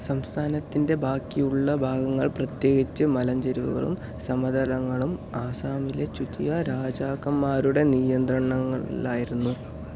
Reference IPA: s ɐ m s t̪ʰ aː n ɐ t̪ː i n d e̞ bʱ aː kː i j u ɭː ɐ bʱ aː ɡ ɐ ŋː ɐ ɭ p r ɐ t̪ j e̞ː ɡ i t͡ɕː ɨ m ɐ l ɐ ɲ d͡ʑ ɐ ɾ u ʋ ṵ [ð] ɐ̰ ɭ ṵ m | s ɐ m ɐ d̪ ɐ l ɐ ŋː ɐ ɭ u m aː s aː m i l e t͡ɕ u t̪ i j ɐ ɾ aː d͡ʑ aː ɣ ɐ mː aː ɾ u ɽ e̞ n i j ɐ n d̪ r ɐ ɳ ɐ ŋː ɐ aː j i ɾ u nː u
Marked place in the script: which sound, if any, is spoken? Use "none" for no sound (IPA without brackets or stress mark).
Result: ɣ